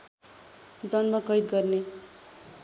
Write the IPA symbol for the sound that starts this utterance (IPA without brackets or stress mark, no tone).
d͡z